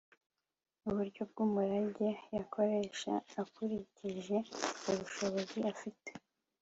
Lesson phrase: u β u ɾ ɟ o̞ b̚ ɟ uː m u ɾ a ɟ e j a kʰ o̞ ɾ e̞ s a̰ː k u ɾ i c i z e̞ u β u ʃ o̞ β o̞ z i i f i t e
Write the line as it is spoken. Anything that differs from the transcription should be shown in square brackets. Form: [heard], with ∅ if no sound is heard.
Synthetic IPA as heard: u β u ɾ ɟ o̞ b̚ [ɡ] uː m u ɾ a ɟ e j a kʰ o̞ ɾ e̞ [ʃ] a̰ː k u ɾ i c i [ʒ] e̞ u β u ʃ o̞ β o̞ z i [a] f i t e